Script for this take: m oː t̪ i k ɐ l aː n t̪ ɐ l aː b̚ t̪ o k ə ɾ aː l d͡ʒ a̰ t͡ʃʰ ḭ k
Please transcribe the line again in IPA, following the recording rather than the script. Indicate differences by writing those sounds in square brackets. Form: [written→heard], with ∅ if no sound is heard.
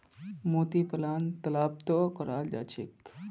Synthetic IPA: m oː t̪ i [k→p] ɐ l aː n t̪ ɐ l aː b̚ t̪ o k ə ɾ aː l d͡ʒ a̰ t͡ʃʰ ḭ k